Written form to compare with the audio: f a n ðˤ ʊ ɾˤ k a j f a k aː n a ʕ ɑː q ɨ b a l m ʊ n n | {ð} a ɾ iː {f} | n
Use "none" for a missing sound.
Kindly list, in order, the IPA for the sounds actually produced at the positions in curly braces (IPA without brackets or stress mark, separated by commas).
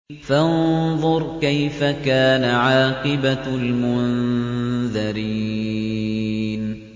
ð, none